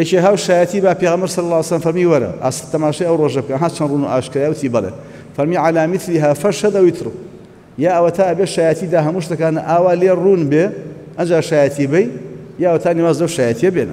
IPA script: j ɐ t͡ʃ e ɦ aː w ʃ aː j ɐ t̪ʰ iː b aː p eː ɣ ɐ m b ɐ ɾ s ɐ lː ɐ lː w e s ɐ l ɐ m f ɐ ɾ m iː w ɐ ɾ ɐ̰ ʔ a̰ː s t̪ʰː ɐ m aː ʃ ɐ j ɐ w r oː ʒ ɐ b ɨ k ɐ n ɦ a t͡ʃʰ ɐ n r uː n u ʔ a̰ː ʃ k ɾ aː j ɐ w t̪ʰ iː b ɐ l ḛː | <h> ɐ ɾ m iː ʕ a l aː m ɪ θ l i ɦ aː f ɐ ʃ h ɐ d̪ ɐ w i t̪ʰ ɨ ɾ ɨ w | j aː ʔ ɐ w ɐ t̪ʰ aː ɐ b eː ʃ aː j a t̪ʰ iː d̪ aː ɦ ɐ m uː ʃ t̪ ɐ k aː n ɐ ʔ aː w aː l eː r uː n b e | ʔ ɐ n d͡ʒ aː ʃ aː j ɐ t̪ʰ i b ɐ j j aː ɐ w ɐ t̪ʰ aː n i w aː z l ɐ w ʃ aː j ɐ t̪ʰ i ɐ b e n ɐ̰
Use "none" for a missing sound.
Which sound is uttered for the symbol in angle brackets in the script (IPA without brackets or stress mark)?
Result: f